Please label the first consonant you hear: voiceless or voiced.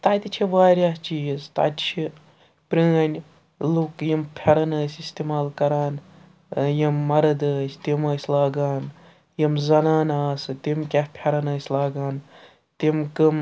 voiceless